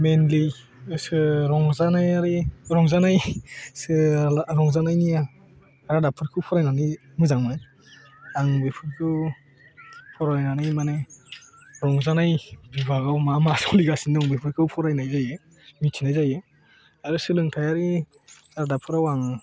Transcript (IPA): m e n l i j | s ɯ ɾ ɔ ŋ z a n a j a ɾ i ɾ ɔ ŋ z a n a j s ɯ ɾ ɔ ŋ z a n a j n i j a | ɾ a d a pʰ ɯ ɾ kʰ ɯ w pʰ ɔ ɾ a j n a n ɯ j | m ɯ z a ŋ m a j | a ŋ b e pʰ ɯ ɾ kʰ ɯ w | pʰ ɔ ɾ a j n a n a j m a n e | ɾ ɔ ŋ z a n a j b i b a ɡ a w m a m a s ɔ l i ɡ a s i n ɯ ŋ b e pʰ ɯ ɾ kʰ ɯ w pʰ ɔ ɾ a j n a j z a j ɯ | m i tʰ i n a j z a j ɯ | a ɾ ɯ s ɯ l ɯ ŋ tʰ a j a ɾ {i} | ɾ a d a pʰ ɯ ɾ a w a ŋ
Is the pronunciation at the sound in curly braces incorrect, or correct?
correct